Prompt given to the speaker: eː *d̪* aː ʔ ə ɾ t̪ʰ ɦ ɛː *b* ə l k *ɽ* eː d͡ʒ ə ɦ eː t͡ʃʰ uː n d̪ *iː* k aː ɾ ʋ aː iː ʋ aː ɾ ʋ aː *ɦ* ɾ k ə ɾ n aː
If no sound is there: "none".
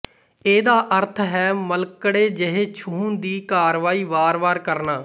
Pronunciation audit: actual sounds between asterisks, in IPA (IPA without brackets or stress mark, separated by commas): d̪, m, ɽ, iː, none